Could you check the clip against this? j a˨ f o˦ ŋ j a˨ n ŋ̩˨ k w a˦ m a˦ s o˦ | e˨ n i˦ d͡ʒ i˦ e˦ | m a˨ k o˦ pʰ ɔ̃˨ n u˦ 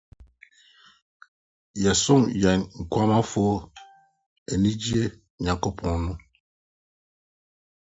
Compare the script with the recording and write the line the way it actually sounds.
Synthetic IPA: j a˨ s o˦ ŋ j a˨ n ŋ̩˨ k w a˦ m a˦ f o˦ | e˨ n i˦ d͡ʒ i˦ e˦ | ɲ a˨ k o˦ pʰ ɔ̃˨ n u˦